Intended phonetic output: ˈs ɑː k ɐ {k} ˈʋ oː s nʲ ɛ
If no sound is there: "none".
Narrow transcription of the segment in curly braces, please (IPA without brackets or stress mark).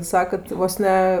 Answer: t